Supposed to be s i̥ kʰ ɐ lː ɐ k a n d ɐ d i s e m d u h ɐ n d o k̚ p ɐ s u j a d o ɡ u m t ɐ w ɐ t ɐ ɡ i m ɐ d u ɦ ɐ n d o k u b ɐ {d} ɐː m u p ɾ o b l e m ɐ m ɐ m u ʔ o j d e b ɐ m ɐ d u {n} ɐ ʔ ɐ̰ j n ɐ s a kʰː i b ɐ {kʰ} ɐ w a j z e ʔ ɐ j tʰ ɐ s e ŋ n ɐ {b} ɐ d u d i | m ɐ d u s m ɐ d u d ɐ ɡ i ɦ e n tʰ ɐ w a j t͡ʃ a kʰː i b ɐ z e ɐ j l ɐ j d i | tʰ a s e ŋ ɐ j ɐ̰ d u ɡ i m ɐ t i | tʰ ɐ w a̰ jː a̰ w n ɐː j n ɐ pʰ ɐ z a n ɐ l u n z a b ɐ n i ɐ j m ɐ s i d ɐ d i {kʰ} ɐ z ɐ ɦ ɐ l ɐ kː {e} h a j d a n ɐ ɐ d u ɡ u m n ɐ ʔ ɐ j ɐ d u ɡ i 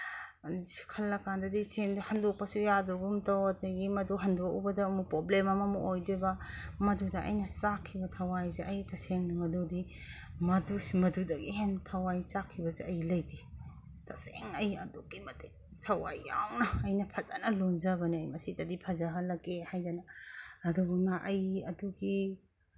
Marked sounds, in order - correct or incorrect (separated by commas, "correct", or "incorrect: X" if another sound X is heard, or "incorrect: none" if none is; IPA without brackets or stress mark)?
correct, incorrect: d, incorrect: tʰ, incorrect: m, incorrect: pʰ, correct